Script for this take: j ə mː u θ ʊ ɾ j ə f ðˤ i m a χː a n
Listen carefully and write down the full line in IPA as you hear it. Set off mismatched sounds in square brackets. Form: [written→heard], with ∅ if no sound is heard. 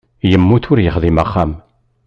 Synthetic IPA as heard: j ə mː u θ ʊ ɾ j ə [f→χ] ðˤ i m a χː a [n→m]